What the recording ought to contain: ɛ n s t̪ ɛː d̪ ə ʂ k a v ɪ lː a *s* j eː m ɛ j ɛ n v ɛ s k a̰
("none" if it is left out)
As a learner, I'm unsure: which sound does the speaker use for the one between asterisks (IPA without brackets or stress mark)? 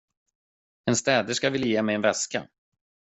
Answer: none